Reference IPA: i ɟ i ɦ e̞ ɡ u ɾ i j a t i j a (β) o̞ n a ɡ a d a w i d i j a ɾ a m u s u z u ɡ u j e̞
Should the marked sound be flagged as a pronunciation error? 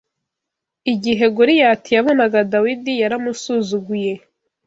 no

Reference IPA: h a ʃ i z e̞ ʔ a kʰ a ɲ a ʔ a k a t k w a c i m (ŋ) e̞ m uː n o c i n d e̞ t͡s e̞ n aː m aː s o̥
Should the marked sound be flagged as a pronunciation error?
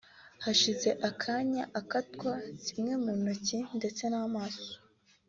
no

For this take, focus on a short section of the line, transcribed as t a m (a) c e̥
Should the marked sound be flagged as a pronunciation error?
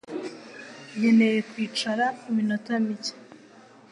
yes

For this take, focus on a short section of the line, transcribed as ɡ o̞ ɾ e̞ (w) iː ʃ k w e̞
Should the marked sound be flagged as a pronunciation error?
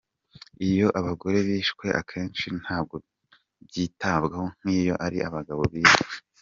yes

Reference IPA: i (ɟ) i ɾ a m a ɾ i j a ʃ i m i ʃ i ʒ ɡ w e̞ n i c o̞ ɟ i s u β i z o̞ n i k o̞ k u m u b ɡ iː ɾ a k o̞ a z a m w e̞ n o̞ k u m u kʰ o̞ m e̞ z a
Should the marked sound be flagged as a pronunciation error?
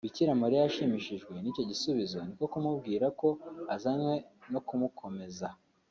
yes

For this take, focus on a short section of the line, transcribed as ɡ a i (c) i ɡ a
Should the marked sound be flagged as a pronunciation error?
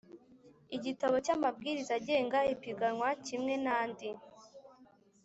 yes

